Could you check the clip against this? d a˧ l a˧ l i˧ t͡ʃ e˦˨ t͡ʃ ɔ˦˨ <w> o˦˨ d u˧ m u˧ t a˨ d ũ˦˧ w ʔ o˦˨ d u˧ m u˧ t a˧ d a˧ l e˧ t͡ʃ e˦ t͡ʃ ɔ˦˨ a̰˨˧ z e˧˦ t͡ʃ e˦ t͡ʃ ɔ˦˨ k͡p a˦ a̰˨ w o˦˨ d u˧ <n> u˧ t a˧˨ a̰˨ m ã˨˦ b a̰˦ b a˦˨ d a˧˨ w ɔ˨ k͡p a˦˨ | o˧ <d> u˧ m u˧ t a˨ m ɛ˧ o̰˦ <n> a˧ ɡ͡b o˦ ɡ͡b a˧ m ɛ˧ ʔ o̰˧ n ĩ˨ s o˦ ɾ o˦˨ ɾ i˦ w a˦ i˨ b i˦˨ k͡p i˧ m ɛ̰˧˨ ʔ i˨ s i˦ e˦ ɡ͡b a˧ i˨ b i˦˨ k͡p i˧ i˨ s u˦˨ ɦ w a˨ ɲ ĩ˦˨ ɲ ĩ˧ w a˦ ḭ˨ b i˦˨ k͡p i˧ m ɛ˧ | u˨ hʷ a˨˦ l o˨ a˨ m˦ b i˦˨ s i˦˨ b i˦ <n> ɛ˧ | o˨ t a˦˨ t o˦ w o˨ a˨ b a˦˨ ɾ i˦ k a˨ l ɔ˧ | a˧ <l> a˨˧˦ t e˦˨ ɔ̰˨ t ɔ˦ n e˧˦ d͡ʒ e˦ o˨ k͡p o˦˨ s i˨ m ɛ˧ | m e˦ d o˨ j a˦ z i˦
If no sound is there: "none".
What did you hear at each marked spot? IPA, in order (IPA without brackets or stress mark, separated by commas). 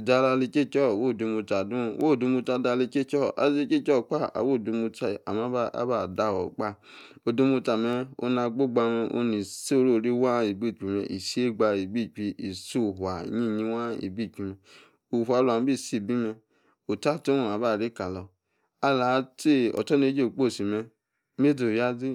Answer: w, m, d, n, m, l